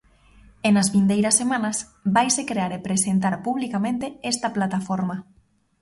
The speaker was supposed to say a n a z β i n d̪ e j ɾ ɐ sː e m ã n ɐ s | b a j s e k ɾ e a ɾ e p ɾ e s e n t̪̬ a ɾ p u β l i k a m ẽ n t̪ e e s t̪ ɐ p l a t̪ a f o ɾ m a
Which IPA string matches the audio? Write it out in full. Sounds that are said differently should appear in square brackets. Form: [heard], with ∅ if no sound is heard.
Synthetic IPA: [e] n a z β i n d̪ e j ɾ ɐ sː e m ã n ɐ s | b a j s e k ɾ e a ɾ e p ɾ e s e n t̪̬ a ɾ p u β l i k a m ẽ n t̪ e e s t̪ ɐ p l a t̪ a f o ɾ m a

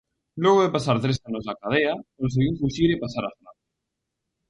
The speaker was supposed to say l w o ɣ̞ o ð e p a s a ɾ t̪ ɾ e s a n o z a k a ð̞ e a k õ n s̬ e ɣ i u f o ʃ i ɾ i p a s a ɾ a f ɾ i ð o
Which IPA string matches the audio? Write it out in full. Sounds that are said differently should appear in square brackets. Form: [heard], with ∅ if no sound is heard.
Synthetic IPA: l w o ɣ̞ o ð e p a s a ɾ t̪ ɾ e s a n o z a k a ð̞ e a k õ n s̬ e ɣ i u f [u] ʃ i ɾ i p a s a ɾ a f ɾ [a] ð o

